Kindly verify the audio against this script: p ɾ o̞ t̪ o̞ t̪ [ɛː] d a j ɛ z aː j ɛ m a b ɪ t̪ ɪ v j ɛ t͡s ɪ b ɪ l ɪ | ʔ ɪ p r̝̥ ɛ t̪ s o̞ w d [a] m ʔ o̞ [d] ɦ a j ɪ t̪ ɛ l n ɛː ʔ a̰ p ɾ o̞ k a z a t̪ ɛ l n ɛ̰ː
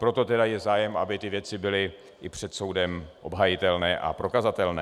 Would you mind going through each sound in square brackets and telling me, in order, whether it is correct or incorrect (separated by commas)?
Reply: incorrect, incorrect, incorrect